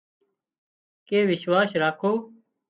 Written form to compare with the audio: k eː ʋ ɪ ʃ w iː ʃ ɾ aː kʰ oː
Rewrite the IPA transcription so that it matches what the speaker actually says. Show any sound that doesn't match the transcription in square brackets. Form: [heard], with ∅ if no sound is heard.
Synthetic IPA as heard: k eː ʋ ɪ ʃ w [aː] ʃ ɾ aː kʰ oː